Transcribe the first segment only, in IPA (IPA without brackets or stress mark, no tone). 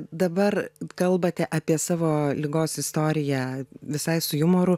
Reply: d̪